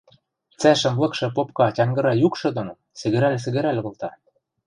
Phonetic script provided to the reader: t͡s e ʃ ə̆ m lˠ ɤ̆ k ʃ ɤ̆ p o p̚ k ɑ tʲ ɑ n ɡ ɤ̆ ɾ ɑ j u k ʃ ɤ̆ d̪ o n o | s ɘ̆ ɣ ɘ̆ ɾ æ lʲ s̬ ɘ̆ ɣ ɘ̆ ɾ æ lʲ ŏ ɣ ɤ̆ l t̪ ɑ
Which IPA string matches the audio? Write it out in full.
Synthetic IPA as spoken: t͡s æ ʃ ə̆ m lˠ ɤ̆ k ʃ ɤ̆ p o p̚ k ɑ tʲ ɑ ŋ ɡ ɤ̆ ɾ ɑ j u k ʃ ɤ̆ d̪ o n o | s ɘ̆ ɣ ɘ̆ ɾ æ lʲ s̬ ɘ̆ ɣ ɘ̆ ɾ æ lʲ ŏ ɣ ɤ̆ l t̪ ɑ